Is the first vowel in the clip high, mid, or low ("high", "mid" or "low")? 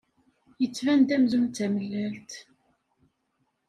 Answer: mid